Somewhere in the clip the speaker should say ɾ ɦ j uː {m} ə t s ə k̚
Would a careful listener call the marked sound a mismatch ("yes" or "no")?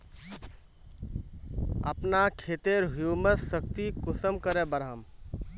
no